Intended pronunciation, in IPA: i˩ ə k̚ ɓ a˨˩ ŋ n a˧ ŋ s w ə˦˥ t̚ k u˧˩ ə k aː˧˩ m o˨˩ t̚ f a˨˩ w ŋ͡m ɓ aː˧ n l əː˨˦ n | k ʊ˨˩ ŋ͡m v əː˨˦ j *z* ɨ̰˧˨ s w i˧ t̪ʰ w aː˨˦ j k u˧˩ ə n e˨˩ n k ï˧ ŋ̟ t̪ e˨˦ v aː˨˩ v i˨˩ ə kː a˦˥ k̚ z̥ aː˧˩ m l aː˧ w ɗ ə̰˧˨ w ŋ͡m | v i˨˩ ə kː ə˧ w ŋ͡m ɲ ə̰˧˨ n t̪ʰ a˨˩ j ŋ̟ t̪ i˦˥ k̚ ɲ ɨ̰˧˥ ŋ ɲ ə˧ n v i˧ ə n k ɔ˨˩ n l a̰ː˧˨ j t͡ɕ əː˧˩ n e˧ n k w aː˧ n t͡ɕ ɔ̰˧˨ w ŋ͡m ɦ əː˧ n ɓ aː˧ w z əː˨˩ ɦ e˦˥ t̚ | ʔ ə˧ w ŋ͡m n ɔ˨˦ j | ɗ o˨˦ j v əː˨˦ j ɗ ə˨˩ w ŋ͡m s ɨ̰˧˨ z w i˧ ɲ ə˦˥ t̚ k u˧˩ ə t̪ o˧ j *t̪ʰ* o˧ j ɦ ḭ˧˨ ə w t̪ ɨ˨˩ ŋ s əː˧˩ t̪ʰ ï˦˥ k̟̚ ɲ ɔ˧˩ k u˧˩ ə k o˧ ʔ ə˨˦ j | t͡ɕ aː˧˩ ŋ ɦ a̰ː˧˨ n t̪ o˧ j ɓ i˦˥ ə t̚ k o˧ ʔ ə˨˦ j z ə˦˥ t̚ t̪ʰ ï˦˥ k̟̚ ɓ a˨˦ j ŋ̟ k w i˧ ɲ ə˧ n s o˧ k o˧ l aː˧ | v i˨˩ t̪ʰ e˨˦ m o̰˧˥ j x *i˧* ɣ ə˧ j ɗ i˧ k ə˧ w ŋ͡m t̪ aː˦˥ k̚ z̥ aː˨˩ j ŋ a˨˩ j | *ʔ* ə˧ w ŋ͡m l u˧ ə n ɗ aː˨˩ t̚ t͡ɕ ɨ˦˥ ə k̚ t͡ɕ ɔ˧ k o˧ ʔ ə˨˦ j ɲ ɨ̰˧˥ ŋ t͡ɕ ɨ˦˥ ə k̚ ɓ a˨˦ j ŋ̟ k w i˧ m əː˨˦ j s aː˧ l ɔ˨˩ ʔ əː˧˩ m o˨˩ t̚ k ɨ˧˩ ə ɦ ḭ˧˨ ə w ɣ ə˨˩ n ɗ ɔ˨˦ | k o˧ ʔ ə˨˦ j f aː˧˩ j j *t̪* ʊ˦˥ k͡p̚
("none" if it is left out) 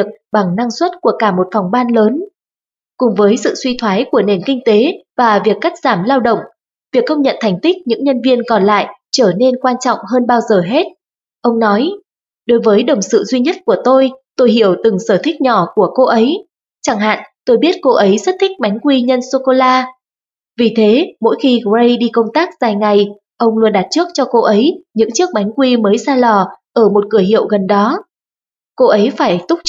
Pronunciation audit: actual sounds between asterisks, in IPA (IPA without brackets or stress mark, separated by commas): s, t̪, i˧, ʔ, t̪